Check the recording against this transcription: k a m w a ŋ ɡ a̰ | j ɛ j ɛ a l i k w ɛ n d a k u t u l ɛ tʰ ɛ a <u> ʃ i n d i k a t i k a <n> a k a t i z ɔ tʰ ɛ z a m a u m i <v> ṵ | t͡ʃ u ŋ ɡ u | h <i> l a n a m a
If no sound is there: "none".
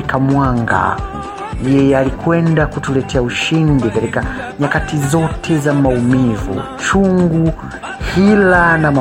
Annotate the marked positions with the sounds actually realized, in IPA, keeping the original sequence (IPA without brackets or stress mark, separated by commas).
u, ɲ, v, i